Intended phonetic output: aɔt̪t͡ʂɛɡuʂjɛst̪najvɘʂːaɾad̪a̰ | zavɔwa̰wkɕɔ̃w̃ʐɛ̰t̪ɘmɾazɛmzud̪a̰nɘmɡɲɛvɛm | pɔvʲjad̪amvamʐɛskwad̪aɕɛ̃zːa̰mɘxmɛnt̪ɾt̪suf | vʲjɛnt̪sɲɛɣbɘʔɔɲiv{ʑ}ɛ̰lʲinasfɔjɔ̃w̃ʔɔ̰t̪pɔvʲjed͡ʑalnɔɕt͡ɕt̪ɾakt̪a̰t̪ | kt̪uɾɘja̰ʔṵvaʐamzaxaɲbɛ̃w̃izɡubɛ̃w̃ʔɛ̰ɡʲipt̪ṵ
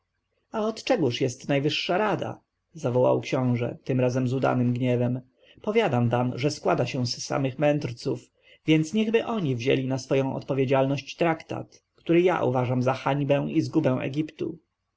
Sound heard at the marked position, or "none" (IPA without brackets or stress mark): ʑ